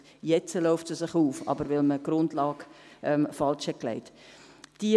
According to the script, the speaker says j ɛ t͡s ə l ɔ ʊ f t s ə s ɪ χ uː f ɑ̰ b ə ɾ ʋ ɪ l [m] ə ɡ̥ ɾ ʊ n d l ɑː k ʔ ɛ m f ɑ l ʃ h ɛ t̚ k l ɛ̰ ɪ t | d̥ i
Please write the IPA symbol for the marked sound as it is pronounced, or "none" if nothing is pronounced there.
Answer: m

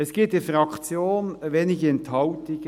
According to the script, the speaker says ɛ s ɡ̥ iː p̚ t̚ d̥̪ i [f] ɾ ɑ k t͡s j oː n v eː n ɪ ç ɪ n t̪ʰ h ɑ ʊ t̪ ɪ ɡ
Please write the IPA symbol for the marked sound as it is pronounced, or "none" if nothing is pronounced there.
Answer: f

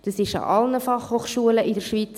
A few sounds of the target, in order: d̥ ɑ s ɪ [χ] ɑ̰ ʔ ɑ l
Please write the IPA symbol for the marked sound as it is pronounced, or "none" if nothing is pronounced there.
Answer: ʃ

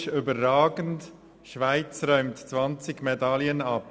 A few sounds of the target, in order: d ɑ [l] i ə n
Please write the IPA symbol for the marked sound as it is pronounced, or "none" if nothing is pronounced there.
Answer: l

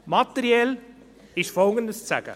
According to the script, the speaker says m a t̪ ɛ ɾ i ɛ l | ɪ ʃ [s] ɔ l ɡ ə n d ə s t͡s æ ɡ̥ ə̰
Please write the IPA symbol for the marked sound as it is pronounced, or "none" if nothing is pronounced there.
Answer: f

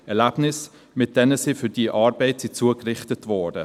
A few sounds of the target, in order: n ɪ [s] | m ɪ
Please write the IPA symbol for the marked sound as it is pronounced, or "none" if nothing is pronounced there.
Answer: s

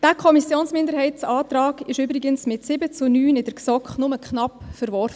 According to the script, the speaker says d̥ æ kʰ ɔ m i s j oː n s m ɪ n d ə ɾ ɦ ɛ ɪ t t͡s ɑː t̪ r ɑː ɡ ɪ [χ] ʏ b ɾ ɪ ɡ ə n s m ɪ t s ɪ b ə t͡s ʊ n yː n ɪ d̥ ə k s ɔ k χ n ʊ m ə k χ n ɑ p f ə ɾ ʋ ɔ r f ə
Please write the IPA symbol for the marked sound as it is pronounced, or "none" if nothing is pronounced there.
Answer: ʃ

